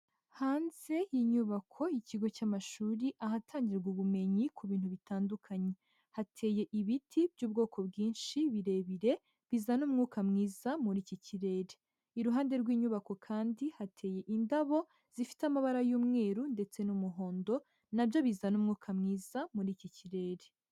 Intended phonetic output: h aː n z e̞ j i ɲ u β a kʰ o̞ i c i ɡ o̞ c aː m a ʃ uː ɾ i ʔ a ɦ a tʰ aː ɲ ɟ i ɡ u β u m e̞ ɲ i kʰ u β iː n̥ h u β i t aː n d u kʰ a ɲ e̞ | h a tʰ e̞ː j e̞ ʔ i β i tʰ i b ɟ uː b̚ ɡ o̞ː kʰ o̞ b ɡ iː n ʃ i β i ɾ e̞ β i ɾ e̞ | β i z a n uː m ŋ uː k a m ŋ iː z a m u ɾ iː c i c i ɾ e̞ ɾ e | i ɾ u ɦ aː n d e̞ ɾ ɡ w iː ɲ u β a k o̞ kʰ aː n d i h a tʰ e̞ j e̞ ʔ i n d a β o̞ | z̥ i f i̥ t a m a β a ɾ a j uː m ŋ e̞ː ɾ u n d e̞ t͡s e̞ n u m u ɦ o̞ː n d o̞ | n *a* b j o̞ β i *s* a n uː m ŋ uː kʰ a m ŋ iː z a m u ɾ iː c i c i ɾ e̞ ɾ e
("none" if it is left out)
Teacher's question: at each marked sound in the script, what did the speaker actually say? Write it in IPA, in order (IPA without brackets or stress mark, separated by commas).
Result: a, z